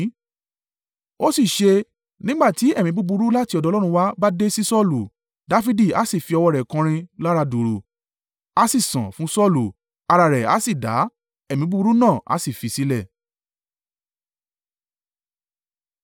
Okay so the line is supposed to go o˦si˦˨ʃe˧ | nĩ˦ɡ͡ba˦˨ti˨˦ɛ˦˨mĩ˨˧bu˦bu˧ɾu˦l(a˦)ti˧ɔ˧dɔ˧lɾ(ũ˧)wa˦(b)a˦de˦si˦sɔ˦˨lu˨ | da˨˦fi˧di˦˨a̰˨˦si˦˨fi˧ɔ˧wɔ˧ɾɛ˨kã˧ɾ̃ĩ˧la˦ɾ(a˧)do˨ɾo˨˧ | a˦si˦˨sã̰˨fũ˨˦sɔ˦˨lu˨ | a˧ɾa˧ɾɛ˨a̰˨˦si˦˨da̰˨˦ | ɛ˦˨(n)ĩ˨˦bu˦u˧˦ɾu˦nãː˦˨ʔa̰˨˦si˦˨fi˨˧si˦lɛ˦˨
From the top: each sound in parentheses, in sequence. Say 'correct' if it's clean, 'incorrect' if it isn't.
correct, correct, correct, correct, incorrect: m

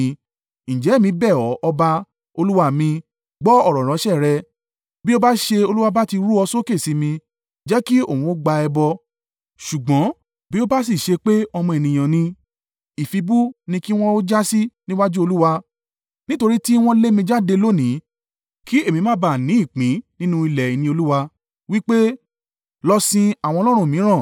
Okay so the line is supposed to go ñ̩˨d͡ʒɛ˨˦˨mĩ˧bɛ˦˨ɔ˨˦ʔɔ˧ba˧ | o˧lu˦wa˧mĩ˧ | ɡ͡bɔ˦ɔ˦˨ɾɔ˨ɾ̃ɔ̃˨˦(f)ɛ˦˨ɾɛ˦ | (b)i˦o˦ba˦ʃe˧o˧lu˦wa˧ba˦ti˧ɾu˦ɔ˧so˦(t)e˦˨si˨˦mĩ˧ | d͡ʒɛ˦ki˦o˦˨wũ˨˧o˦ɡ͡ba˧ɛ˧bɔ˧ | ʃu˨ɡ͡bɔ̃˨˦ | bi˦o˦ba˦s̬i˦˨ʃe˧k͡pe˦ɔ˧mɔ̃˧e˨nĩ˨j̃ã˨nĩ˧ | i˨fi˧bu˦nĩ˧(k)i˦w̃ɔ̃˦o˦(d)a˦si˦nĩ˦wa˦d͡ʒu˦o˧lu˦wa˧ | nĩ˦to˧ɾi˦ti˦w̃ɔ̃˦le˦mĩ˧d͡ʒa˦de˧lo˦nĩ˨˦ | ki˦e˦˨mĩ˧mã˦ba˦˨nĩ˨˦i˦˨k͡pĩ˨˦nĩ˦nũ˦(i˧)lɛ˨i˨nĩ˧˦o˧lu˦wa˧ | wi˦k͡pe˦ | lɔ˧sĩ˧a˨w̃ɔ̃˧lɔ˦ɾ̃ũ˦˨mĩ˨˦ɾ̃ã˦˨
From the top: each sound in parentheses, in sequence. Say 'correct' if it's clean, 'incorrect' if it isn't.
incorrect: ʃ, correct, incorrect: k, correct, incorrect: d͡ʒ, correct

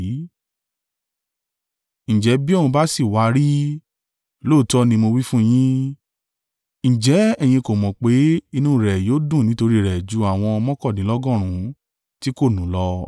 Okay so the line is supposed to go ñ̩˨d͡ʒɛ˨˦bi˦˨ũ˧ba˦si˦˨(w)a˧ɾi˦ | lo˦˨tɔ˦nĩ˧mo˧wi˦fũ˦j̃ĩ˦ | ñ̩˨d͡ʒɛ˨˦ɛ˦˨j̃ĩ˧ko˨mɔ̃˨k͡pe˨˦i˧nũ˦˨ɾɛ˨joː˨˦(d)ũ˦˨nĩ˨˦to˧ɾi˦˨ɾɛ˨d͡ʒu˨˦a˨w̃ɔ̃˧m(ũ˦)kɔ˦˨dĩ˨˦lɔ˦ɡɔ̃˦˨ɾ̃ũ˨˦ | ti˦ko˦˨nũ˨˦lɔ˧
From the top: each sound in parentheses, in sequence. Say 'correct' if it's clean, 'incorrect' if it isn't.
correct, correct, incorrect: ɔ̃˦

